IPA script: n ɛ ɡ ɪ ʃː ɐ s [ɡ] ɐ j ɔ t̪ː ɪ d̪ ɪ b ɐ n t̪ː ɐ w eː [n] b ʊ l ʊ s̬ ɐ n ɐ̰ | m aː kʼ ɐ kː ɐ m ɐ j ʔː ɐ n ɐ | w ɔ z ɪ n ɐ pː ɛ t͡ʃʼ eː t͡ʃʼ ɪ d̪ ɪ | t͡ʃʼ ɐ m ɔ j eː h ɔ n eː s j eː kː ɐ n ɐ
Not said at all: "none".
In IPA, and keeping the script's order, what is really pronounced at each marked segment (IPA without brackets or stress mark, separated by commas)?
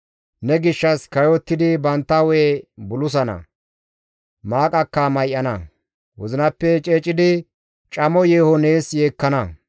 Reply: k, none